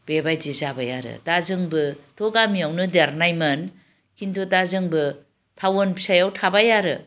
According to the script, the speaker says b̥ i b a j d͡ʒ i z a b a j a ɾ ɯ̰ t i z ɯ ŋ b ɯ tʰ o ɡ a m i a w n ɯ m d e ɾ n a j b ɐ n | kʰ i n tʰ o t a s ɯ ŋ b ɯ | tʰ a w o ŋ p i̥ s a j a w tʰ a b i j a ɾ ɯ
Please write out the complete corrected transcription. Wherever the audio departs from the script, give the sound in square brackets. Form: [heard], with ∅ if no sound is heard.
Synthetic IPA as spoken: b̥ [e] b a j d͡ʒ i z a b a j a ɾ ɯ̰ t [a] z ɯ ŋ b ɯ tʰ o ɡ a m i a w n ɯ [∅] d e ɾ n a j [m] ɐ n | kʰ i n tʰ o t a [z] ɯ ŋ b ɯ | tʰ a w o [n] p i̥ s a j a w tʰ a b [a] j a ɾ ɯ